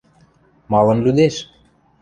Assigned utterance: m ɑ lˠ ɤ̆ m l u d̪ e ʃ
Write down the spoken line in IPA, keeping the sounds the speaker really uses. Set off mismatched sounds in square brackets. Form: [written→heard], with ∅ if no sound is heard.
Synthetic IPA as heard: m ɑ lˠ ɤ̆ [m→n] l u d̪ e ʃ